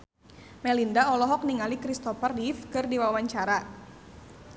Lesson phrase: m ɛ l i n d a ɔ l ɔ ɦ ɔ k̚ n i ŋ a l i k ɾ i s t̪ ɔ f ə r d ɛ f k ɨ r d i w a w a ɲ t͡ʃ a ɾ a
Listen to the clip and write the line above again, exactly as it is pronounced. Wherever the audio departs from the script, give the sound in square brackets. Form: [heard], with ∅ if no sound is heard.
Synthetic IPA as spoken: m ɛ l i n d a ɔ l ɔ ɦ ɔ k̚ n i ŋ a l i k ɾ i s t̪ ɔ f ə r d [i] f k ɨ r d i w a w a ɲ t͡ʃ a ɾ a